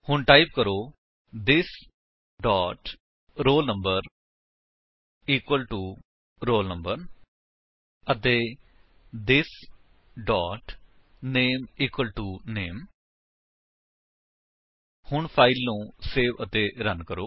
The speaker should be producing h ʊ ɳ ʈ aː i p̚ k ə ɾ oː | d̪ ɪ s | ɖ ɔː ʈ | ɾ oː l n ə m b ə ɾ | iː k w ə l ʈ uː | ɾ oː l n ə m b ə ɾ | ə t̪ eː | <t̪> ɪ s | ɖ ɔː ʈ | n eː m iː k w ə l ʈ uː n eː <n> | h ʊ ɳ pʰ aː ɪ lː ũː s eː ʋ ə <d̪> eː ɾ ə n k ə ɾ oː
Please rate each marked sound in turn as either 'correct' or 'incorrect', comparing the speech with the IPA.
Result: incorrect, incorrect, incorrect

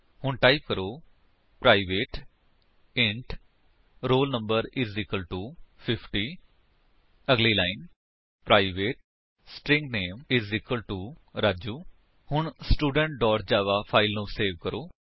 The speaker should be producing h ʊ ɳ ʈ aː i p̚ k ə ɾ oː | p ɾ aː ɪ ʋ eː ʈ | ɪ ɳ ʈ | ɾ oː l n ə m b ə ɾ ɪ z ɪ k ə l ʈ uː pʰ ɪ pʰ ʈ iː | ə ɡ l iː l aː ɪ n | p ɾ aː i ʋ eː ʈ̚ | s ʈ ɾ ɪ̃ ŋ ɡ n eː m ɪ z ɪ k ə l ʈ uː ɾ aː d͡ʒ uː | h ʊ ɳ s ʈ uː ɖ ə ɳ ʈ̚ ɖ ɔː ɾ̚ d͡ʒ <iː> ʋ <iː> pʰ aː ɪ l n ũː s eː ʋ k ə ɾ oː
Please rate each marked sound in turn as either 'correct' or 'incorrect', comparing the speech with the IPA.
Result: incorrect, incorrect

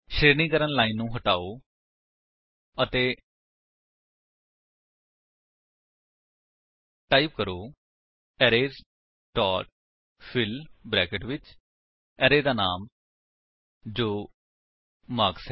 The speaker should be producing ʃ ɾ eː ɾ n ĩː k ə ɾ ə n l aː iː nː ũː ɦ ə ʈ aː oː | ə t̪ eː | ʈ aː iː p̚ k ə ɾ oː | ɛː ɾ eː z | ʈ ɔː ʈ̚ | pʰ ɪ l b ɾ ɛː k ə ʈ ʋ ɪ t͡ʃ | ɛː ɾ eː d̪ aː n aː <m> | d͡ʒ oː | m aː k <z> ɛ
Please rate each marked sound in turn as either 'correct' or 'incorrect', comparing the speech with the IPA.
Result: correct, incorrect

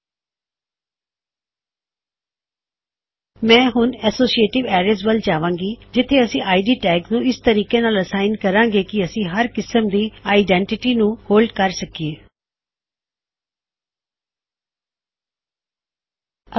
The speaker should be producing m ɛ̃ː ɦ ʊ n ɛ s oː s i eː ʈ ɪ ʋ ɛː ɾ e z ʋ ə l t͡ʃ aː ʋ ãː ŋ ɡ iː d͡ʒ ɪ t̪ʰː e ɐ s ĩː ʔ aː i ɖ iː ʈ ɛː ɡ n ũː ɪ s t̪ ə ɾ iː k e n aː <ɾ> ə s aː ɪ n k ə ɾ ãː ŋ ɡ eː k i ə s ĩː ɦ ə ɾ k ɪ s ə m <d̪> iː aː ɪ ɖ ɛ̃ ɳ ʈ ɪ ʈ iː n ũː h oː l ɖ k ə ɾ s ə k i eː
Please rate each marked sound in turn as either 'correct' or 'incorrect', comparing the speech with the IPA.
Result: incorrect, correct

